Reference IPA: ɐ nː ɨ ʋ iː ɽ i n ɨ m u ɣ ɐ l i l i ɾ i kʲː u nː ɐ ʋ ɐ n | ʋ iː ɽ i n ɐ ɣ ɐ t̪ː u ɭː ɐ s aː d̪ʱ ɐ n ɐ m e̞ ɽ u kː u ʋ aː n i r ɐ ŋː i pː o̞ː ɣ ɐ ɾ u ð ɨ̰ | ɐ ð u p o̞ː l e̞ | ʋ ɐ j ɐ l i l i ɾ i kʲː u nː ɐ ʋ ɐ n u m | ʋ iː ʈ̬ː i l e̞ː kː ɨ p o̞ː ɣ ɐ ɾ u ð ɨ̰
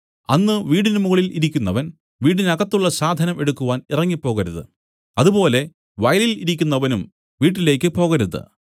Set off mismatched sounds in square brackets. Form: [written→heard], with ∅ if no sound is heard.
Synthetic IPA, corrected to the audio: ɐ nː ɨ ʋ iː ɽ i n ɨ m u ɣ ɐ [l→ɭ] i l i ɾ i kʲː u nː ɐ ʋ ɐ n | ʋ iː ɽ i n ɐ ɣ ɐ t̪ː u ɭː ɐ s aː d̪ʱ ɐ n ɐ m e̞ ɽ u kː u ʋ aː n i r ɐ ŋː i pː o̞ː ɣ ɐ ɾ u ð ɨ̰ | ɐ ð u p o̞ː l e̞ | ʋ ɐ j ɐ l i l i ɾ i kʲː u nː ɐ ʋ ɐ n u m | ʋ iː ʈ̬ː i l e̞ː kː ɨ p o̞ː ɣ ɐ ɾ u ð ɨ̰

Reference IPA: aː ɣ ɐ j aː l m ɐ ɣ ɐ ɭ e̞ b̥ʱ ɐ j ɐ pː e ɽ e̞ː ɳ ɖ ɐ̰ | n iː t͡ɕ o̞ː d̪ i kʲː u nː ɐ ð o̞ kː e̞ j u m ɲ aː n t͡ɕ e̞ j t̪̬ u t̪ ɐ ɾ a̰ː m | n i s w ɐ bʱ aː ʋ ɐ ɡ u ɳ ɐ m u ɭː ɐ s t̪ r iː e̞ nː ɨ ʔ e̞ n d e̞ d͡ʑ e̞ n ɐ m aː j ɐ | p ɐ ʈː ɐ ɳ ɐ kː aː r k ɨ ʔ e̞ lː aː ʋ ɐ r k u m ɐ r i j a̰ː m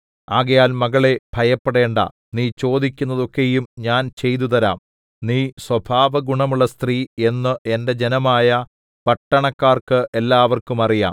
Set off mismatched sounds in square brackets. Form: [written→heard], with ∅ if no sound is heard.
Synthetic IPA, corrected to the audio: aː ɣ ɐ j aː l m ɐ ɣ ɐ ɭ e̞ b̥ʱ ɐ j ɐ pː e ɽ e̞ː ɳ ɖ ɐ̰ | n iː t͡ɕ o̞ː d̪ i kʲː u nː ɐ ð o̞ kː e̞ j u m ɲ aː n t͡ɕ e̞ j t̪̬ u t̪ ɐ ɾ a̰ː m | n [i→iː] s w ɐ bʱ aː ʋ ɐ ɡ u ɳ ɐ m u ɭː ɐ s t̪ r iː e̞ nː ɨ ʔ e̞ n d e̞ d͡ʑ e̞ n ɐ m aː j ɐ | p ɐ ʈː ɐ ɳ ɐ kː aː r k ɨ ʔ e̞ lː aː ʋ ɐ r k u m ɐ r i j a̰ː m

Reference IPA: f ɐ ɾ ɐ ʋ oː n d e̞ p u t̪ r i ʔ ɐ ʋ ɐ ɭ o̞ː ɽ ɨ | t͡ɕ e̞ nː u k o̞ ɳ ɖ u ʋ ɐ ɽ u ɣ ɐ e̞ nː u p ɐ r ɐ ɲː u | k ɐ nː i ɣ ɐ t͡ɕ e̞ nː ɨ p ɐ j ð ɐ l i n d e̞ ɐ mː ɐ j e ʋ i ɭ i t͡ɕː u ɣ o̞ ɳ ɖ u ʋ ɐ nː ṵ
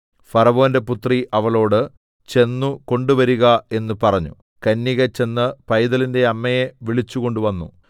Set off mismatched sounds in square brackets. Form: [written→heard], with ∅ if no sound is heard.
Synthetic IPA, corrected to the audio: f ɐ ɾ ɐ ʋ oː n d e̞ p u t̪ r i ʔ ɐ ʋ ɐ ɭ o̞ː ɽ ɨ | t͡ɕ e̞ nː u k o̞ ɳ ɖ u ʋ ɐ [ɽ→ɾ] u ɣ ɐ e̞ nː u p ɐ r ɐ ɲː u | k ɐ nː i ɣ ɐ t͡ɕ e̞ nː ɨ p ɐ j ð ɐ l i n d e̞ ɐ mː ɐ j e ʋ i ɭ i t͡ɕː u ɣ o̞ ɳ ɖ u ʋ ɐ nː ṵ

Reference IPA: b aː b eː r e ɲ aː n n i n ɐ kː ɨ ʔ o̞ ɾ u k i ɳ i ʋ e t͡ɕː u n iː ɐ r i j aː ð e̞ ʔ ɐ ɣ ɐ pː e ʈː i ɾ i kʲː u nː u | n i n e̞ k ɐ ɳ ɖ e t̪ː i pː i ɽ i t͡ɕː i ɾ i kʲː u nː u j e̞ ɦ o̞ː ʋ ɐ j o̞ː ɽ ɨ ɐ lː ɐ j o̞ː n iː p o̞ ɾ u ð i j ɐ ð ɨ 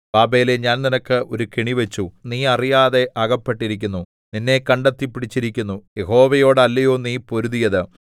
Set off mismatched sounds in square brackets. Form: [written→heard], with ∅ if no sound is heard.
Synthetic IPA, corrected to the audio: b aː b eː [r→l] e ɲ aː n n i n ɐ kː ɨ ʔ o̞ ɾ u k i ɳ i ʋ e t͡ɕː u n iː ɐ r i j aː ð e̞ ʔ ɐ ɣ ɐ pː e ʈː i ɾ i kʲː u nː u | n i [n→nː] e̞ k ɐ ɳ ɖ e t̪ː i pː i ɽ i t͡ɕː i ɾ i kʲː u nː u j e̞ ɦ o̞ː ʋ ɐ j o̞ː ɽ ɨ ɐ lː ɐ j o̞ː n iː p o̞ ɾ u ð i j ɐ ð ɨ

